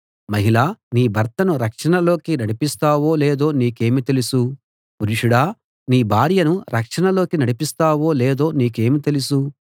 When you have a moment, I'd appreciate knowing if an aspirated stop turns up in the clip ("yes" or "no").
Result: no